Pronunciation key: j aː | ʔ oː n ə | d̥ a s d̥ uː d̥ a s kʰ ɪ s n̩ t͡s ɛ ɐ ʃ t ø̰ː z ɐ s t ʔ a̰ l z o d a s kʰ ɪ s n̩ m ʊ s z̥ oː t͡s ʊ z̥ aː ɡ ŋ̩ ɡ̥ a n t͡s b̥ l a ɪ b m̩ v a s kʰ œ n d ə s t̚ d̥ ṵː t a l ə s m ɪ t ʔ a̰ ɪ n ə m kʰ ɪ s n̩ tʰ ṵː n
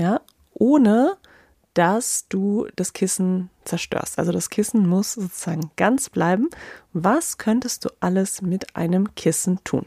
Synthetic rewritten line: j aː | ʔ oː n ə | d̥ a s d̥ uː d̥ a s kʰ ɪ s n̩ t͡s ɛ ɐ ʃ t ø̰ː ɐ s t ʔ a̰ l z o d a s kʰ ɪ s n̩ m ʊ s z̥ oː t͡s u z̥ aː ɡ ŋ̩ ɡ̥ a n t͡s b̥ l a ɪ b m̩ v a s kʰ œ n t ə s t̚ d̥ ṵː ʔ a l ə s m ɪ t ʔ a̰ ɪ n ə m kʰ ɪ s n̩ tʰ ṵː n